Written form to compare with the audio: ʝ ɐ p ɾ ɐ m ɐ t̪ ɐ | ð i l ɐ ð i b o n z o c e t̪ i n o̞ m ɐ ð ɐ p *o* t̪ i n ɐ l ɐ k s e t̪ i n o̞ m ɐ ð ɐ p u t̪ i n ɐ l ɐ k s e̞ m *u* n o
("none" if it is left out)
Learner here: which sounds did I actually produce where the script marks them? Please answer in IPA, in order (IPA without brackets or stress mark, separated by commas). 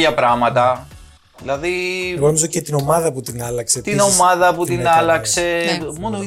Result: u, o